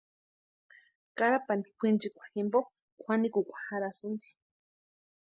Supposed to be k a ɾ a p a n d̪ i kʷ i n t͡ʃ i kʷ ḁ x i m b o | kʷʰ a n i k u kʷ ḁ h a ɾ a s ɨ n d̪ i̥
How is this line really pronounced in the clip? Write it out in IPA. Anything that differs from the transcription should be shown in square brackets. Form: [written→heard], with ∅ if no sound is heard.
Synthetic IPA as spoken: k a ɾ a p a n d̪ i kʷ i n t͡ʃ i kʷ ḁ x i m b o | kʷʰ a n i k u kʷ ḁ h a ɾ a s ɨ n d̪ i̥